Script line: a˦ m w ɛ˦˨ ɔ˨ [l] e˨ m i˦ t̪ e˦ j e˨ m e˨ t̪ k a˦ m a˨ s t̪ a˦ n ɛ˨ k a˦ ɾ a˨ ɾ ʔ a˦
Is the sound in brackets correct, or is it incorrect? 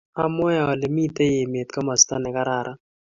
correct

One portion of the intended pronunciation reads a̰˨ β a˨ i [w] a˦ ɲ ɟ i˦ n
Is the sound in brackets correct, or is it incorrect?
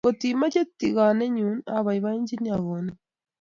incorrect: β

